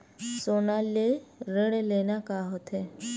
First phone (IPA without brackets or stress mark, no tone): s